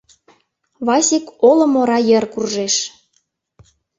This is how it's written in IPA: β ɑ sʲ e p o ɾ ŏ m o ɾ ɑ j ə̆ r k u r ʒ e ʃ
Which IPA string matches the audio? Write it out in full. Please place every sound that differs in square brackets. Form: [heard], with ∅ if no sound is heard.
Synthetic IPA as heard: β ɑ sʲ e [k] o [l] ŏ m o ɾ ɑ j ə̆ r k u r ʒ e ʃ